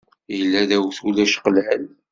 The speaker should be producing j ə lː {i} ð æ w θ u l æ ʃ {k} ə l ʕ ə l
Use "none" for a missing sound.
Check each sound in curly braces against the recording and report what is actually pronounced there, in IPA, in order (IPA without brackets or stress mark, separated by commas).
æ, q